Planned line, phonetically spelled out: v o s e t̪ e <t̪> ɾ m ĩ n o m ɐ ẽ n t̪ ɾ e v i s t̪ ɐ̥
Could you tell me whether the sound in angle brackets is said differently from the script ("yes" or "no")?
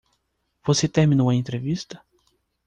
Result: yes